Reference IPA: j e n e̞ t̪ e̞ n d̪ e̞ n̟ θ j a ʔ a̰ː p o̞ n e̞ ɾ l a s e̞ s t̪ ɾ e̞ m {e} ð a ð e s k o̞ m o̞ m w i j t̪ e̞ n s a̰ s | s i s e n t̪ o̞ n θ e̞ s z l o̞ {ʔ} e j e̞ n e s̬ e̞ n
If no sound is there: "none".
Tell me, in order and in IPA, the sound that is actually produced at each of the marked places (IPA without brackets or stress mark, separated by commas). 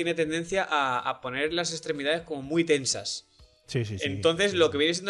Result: i, k